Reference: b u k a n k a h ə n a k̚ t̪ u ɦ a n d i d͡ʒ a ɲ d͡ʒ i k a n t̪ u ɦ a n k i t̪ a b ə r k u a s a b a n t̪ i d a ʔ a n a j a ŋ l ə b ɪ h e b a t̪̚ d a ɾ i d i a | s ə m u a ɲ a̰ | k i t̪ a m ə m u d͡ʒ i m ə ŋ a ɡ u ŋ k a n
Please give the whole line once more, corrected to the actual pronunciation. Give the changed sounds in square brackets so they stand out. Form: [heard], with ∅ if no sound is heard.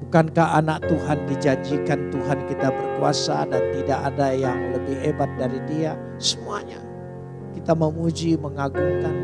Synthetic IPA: b u k a n k a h [a] n a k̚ t̪ u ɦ a n d i d͡ʒ a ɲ d͡ʒ i k a n t̪ u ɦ a n k i t̪ a b ə r k u a s a [d] a n t̪ i d a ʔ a [d] a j a ŋ l ə b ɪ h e b a t̪̚ d a ɾ i d i a | s ə m u a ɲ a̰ | k i t̪ a m ə m u d͡ʒ i m ə ŋ a ɡ u ŋ k a n